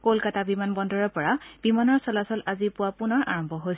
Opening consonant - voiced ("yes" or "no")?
no